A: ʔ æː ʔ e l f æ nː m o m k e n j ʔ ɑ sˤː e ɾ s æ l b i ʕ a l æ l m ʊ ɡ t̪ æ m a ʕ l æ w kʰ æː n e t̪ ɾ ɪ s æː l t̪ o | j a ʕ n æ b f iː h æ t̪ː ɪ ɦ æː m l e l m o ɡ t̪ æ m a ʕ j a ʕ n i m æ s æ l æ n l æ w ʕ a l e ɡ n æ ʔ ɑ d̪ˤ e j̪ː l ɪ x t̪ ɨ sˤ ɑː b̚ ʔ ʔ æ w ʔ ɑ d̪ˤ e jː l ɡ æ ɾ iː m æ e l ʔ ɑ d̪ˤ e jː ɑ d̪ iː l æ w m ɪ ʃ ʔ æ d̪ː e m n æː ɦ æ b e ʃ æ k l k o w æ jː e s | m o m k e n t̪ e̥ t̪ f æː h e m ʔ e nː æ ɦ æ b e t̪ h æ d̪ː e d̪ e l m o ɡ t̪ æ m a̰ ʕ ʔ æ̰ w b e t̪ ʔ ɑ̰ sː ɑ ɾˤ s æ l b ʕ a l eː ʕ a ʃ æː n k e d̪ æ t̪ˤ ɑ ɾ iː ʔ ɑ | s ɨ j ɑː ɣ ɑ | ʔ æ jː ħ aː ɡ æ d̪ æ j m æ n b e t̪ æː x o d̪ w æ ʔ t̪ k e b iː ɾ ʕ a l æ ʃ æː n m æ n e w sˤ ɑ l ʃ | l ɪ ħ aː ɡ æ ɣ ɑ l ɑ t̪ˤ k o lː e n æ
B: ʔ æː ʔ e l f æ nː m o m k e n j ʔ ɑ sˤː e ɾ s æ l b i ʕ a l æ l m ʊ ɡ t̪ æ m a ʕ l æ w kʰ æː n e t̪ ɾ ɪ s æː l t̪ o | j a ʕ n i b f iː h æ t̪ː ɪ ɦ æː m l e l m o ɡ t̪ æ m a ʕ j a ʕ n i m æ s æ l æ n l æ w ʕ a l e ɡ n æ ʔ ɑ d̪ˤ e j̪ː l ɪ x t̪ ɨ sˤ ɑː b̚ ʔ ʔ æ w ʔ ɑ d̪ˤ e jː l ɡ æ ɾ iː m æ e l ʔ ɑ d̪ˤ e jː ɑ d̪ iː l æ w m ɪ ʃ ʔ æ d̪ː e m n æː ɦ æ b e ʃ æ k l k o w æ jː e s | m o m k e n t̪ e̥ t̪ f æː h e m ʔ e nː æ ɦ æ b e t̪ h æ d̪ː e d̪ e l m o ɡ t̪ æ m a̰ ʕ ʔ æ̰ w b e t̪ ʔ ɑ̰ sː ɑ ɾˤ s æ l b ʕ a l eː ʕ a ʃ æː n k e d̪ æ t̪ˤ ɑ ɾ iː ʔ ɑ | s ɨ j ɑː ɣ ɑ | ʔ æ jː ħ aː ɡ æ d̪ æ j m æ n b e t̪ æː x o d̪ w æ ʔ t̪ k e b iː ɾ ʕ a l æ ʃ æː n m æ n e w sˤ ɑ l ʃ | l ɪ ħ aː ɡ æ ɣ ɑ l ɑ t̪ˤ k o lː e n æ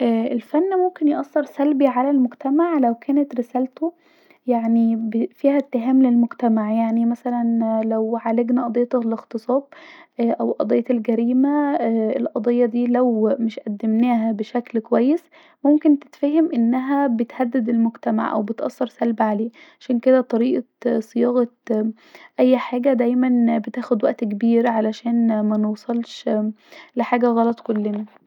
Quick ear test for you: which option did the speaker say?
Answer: B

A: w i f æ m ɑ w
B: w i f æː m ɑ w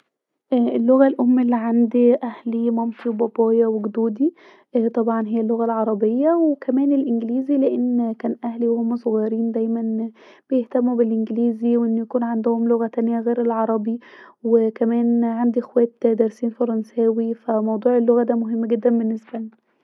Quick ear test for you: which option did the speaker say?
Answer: A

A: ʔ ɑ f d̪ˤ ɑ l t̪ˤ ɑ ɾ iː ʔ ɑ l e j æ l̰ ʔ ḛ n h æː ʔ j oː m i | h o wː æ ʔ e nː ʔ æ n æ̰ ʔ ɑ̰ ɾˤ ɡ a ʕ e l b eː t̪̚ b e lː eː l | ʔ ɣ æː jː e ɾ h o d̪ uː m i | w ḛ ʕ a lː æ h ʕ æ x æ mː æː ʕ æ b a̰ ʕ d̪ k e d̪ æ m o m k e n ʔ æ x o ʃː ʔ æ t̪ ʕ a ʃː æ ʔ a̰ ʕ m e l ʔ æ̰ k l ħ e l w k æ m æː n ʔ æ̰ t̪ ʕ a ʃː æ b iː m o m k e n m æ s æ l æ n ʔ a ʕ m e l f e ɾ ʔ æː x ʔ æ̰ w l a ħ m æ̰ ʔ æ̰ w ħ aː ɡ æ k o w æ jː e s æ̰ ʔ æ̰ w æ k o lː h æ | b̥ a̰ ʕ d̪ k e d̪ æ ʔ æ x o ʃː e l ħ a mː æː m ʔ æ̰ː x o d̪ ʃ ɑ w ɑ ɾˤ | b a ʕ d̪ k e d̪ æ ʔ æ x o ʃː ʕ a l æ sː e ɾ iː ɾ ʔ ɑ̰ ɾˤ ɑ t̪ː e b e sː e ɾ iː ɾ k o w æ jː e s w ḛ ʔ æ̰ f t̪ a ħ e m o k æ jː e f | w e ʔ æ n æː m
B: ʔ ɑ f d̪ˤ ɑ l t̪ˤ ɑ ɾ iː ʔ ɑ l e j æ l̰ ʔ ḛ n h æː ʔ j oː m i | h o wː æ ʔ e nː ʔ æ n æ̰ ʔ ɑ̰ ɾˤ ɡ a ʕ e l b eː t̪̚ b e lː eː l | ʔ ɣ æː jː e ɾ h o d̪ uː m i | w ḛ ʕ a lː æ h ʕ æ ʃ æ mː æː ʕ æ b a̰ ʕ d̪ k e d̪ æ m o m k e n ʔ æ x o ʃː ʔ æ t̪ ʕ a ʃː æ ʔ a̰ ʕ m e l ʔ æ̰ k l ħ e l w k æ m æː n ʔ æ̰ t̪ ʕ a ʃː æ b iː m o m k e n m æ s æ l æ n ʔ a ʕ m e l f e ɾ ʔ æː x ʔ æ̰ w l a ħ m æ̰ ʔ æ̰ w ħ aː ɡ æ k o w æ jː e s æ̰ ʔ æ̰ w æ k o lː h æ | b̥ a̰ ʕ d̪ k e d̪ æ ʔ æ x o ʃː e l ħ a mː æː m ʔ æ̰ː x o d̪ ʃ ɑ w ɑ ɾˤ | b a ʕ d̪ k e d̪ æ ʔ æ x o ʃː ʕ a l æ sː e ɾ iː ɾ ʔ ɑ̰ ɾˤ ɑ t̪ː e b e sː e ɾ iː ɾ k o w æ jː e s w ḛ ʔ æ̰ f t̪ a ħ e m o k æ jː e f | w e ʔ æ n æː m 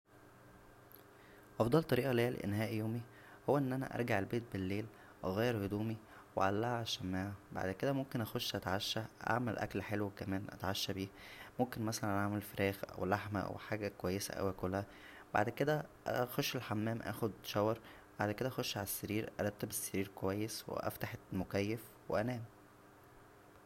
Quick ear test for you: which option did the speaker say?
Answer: B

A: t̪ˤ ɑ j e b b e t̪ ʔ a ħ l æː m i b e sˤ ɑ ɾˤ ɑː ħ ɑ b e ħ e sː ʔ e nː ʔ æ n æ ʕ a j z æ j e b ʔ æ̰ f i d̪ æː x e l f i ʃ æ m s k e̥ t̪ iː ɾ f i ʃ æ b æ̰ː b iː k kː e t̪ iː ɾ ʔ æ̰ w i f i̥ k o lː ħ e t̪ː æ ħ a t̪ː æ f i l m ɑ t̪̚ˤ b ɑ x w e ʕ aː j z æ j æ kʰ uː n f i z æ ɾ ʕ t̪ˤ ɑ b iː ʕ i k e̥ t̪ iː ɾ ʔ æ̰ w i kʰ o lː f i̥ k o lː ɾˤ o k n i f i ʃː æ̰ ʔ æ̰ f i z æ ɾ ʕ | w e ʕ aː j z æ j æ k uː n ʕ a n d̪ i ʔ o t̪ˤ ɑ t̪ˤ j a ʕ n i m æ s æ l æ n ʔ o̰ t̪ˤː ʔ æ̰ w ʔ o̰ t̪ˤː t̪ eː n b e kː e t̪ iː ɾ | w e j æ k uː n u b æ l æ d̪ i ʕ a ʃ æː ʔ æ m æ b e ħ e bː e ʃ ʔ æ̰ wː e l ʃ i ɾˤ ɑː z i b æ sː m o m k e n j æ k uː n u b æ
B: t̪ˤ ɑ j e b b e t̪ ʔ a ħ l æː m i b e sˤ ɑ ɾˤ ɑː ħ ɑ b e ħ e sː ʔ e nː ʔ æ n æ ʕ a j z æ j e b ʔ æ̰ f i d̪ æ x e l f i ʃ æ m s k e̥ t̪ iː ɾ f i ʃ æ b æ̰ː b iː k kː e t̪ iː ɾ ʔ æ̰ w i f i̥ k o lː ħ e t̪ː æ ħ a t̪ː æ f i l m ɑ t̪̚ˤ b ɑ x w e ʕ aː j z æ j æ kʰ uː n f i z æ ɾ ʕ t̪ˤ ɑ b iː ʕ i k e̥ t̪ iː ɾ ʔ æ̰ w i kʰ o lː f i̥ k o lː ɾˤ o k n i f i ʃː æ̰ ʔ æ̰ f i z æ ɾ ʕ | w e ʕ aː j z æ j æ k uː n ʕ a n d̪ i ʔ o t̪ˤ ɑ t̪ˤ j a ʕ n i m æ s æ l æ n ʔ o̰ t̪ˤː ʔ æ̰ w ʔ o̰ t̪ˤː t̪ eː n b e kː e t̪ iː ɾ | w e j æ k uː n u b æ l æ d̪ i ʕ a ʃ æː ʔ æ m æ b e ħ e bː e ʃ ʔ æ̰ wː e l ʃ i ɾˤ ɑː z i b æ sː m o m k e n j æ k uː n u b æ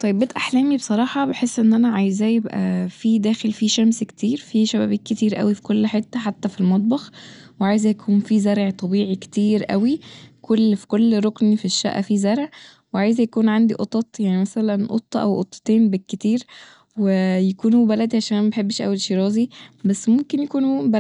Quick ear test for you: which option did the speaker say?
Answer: A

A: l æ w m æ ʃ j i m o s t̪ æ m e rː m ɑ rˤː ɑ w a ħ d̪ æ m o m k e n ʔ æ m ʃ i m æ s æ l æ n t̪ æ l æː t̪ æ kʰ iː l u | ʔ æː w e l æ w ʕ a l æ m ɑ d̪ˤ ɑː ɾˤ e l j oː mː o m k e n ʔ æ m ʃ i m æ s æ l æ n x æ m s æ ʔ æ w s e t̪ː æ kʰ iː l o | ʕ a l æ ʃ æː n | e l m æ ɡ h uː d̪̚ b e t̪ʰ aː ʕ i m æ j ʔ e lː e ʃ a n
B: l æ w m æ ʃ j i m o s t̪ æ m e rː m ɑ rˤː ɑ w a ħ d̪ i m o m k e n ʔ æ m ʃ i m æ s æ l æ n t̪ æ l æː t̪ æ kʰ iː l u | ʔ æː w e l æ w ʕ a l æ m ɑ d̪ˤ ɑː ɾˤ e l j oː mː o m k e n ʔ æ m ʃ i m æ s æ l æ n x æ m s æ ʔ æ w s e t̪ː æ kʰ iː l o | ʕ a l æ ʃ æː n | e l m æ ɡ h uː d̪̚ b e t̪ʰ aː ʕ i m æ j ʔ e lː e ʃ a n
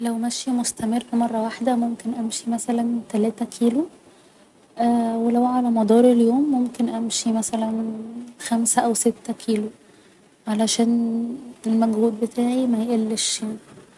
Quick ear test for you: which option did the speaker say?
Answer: A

